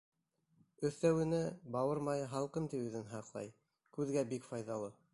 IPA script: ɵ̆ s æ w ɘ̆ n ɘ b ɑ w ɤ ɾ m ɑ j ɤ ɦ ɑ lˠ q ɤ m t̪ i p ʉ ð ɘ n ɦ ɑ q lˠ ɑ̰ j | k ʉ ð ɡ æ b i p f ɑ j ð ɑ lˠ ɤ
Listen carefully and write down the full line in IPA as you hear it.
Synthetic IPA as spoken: ɵ̆ θ æ w ɘ̆ n ɘ b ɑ w ɤ ɾ m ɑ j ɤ ɦ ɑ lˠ q ɤ m t̪ i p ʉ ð ɘ n ɦ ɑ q lˠ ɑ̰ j | k ʉ ð ɡ æ b i k f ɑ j ð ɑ lˠ ɤ